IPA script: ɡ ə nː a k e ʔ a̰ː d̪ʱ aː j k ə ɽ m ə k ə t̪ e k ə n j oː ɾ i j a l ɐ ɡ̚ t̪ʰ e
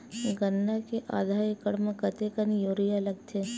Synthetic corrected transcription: ɡ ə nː a k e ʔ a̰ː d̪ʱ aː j k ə ɽ m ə k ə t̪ e k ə n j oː ɾ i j a l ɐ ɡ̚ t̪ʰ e